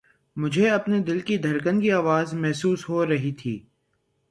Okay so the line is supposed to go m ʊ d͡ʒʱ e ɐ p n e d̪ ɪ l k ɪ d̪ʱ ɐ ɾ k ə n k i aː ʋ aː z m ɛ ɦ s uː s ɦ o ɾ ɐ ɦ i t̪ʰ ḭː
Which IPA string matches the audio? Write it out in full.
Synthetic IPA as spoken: m ʊ d͡ʒʱ e ɐ p n e d̪ ɪ l k i d̪ʱ ɐ ɾ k ə n k i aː ʋ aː z m ɛ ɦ s uː s ɦ o ɾ ɐ ɦ i t̪ʰ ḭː